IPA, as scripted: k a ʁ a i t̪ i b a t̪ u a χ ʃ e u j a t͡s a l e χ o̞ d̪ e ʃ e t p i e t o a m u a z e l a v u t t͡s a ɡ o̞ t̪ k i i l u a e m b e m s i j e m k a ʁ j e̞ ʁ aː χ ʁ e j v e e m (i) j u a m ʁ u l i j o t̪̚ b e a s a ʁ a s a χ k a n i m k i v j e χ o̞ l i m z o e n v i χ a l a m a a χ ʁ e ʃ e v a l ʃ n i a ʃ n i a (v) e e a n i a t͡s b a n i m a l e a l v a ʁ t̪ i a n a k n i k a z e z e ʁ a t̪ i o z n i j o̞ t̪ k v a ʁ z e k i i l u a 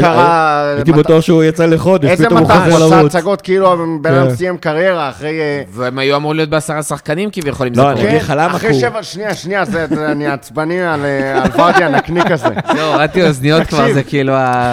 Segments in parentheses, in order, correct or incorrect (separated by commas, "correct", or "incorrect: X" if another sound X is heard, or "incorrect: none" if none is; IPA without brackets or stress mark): incorrect: a, incorrect: z